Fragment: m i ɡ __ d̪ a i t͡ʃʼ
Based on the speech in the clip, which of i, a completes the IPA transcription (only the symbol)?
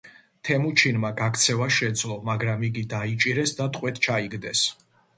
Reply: i